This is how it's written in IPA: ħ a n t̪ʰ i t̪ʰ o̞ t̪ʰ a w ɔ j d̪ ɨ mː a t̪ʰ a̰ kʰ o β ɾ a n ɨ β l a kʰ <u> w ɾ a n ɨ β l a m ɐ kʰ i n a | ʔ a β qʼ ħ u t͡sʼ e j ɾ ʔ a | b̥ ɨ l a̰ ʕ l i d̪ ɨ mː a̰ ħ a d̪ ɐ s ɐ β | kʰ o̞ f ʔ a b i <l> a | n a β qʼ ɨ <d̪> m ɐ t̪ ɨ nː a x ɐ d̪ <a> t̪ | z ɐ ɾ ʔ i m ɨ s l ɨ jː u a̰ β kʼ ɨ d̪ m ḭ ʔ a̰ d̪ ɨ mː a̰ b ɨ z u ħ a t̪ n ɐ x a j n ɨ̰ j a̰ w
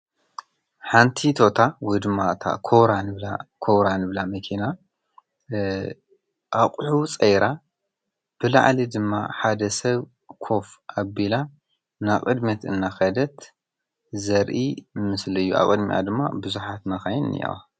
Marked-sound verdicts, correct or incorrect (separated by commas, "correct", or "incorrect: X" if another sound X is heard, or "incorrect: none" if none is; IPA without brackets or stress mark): incorrect: o, correct, correct, incorrect: ɐ